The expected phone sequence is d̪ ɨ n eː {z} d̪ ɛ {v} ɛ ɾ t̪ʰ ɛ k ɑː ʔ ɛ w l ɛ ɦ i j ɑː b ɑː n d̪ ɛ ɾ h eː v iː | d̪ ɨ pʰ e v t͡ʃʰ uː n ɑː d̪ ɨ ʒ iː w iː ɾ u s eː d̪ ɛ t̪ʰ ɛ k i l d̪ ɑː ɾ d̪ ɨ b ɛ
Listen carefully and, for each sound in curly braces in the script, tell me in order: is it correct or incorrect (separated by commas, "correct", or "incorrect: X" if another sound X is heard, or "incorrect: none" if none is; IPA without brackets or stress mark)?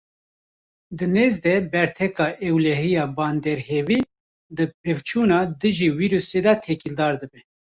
correct, incorrect: b